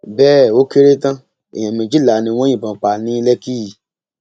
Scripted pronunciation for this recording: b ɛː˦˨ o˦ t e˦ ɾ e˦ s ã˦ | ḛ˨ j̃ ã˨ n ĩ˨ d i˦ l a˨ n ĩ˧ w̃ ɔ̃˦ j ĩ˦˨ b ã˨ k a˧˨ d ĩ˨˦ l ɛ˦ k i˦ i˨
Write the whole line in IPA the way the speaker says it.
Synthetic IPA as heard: b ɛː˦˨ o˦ k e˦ ɾ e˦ t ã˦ | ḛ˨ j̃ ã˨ m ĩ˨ d͡ʒ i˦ l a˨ n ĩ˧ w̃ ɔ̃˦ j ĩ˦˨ b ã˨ k͡p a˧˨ n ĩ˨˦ l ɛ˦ k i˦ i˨